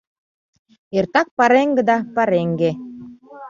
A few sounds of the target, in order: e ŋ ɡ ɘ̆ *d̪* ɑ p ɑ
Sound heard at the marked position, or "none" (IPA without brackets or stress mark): d̪